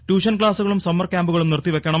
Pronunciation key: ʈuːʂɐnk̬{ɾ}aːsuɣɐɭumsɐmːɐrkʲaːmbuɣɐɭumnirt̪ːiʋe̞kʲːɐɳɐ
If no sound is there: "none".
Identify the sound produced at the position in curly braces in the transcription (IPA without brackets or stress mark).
ɭ